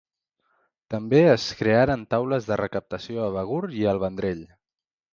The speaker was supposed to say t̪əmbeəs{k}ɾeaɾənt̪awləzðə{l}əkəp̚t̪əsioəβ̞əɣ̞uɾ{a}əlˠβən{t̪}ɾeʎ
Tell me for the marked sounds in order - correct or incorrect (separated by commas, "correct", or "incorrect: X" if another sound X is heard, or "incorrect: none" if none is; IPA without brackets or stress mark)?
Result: correct, incorrect: r, incorrect: i, incorrect: d̪